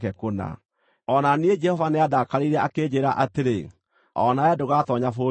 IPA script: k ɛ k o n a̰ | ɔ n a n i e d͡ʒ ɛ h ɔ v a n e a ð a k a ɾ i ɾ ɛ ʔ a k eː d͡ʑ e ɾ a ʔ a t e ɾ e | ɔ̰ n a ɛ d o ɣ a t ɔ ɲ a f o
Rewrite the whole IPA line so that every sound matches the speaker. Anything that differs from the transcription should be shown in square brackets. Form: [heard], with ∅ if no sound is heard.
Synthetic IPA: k ɛ k o n a̰ | ɔ n a n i e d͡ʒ ɛ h ɔ v a n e a ð a k a ɾ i ɾ ɛ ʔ a k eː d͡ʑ e ɾ a ʔ a t e ɾ e | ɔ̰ n a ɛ d o ɣ a t ɔ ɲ a f o